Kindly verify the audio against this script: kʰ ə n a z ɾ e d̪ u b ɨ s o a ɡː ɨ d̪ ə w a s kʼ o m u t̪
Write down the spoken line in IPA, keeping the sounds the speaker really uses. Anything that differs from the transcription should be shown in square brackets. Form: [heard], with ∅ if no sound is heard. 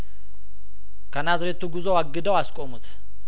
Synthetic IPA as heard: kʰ ə n a z ɾ e [t̪] u [ɡ] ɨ [z] o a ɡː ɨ d̪ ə w a s kʼ o m u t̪

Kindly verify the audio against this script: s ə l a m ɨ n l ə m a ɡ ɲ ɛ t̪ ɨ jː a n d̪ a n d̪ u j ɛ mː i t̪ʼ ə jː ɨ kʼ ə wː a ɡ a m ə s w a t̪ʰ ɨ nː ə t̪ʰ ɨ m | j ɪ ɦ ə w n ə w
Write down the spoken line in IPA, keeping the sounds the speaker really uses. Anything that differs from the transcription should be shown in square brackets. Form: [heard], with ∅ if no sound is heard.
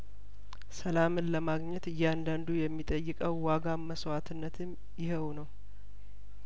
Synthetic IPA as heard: s ə l a m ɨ n l ə m a ɡ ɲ ɛ t̪ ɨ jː a n d̪ a n d̪ u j ɛ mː i t̪ʼ ə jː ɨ kʼ ə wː a ɡ a m ə s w a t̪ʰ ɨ nː ə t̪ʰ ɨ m | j ɪ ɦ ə w n ə w

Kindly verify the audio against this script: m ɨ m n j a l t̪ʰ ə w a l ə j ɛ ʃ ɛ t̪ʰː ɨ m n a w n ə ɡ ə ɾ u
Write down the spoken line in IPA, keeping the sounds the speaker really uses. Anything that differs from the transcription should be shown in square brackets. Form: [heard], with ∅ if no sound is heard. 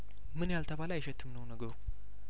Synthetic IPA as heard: m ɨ [∅] n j a l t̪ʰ ə [β] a l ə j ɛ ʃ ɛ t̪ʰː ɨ m n [ə] w n ə ɡ ə ɾ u

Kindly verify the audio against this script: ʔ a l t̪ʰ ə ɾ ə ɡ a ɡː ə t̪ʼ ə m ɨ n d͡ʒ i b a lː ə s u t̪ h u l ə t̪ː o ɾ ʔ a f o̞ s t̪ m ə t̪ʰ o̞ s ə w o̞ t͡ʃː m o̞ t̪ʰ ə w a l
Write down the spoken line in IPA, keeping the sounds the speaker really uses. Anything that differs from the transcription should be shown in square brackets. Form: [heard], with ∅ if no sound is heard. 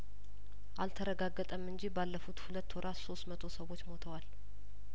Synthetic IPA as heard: ʔ a l t̪ʰ ə ɾ ə ɡ a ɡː ə t̪ʼ ə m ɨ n d͡ʒ i b a lː ə [f] u t̪ h u l ə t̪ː o ɾ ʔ a [s] o̞ s t̪ m ə t̪ʰ o̞ s ə w o̞ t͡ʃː m o̞ t̪ʰ ə w a l

